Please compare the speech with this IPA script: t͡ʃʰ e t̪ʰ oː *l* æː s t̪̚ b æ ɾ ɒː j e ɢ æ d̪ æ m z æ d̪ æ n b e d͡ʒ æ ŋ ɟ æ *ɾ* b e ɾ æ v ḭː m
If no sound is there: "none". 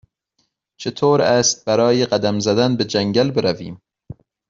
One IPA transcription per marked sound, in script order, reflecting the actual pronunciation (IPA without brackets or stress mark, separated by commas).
ɾ, l